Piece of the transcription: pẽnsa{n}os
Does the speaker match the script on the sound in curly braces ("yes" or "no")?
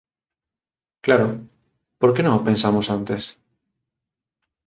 no